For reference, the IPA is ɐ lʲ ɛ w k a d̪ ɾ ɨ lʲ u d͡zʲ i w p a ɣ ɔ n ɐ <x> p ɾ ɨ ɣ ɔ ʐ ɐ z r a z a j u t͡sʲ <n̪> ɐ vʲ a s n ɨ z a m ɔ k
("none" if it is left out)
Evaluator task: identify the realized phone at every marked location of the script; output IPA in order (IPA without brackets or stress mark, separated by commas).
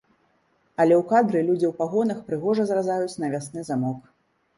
x, n̪